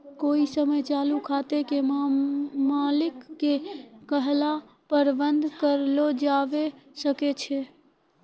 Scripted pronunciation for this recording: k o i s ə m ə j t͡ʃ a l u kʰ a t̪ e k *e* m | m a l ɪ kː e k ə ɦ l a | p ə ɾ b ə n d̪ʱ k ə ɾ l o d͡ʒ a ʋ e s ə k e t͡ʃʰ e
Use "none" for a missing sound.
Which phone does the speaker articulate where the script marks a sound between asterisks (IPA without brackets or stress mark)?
e